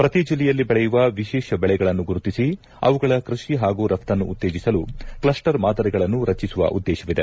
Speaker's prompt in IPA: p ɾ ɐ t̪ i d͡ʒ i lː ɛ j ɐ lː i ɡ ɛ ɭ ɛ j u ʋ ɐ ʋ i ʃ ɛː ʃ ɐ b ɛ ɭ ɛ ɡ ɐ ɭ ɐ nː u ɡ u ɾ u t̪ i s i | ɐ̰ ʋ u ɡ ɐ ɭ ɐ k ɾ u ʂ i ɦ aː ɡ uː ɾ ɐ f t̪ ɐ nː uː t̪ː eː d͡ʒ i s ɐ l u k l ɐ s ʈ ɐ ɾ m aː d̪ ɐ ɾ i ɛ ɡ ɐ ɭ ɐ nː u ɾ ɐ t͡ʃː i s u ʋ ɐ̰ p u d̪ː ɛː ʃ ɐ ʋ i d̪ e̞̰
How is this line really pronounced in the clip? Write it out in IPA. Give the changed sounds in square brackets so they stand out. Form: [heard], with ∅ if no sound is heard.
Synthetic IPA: p ɾ ɐ t̪ i d͡ʒ i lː ɛ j ɐ lː i [b] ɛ ɭ ɛ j u ʋ ɐ ʋ i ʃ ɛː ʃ ɐ b ɛ ɭ ɛ ɡ ɐ ɭ ɐ nː u ɡ u ɾ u t̪ i s i | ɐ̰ ʋ u ɡ ɐ ɭ ɐ k ɾ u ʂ i ɦ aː ɡ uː ɾ ɐ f t̪ ɐ nː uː t̪ː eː d͡ʒ i s ɐ l u k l ɐ s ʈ ɐ ɾ m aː d̪ ɐ ɾ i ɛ ɡ ɐ ɭ ɐ nː u ɾ ɐ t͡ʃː i s u ʋ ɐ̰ [ʔ] u d̪ː ɛː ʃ ɐ ʋ i d̪ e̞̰